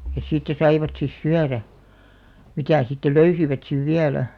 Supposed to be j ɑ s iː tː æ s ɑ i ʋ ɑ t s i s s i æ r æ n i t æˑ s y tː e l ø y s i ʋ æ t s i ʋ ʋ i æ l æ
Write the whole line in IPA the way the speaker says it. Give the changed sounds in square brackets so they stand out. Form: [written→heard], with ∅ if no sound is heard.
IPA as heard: j ɑ s iː tː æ s ɑ i ʋ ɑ t s i s s [i→y] æ r æ [n→m] i t æˑ s [y→i] tː e l ø y s i ʋ æ t s i ʋ ʋ i æ l æ